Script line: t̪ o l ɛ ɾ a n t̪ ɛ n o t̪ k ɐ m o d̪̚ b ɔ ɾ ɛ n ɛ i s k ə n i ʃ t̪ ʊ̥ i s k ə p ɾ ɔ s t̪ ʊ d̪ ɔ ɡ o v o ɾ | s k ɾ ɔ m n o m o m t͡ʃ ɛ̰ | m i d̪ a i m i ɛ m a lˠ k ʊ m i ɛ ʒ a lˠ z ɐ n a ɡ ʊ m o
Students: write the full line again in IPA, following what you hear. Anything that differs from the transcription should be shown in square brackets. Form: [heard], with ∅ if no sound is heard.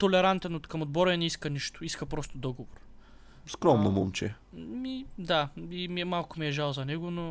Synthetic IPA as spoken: t̪ o l ɛ ɾ a n t̪ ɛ n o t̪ k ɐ m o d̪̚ b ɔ ɾ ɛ n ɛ i s k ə n i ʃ t̪ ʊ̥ i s k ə p ɾ ɔ s t̪ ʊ d̪ ɔ ɡ o v o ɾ | s k ɾ ɔ m n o m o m t͡ʃ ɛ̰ | m i d̪ a i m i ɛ m a lˠ k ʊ m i ɛ ʒ a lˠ z ɐ n [ɛ] ɡ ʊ [n] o